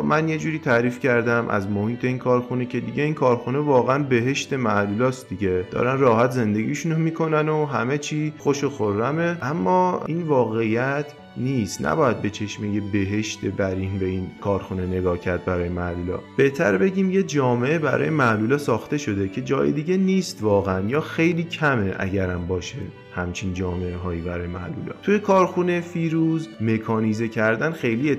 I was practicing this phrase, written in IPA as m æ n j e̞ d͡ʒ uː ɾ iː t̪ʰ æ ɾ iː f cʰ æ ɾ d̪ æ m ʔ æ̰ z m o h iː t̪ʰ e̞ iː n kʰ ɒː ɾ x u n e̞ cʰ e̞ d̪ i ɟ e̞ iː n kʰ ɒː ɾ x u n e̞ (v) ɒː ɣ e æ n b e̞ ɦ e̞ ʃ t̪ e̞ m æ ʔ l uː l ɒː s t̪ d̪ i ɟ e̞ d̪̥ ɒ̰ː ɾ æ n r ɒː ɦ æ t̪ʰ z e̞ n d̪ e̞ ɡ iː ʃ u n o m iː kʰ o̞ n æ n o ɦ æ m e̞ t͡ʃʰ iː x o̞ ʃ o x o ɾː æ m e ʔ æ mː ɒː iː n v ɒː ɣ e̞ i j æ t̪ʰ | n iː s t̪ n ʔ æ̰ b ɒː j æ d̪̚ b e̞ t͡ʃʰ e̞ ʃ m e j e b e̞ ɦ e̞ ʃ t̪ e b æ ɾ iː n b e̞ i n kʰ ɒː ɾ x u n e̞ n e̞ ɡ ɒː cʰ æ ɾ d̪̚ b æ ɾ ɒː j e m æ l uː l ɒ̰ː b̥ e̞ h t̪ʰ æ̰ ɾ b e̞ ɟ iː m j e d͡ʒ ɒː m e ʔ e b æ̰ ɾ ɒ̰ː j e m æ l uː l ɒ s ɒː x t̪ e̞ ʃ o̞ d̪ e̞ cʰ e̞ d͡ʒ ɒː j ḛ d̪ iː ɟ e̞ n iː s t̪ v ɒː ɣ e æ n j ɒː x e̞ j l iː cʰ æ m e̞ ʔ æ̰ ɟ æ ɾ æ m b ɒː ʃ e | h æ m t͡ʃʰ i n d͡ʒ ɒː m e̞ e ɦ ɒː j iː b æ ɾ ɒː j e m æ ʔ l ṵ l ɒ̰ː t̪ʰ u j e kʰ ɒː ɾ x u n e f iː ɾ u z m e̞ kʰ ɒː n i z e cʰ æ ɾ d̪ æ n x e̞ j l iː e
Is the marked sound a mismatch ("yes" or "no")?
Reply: no